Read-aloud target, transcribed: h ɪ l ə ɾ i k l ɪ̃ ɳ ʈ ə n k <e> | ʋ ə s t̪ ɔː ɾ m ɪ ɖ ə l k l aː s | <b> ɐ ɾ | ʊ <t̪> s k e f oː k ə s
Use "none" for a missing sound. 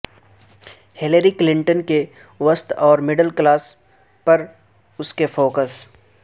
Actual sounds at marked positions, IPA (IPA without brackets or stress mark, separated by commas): e, p, none